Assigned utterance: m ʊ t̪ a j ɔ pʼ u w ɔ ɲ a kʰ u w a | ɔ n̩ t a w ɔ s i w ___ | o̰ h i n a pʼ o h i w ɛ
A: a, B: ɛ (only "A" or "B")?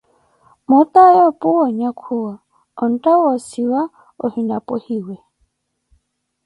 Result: A